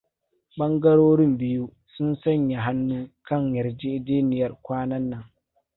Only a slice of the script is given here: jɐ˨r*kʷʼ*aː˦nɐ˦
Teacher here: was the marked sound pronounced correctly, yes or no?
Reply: no